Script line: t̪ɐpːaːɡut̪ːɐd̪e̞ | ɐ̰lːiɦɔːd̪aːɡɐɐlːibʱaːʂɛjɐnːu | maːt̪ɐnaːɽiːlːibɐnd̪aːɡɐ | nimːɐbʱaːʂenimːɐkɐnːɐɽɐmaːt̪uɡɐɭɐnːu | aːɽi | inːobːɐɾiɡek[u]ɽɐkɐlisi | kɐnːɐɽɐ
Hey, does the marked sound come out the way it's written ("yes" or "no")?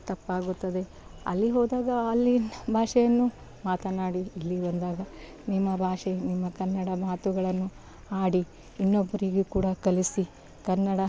no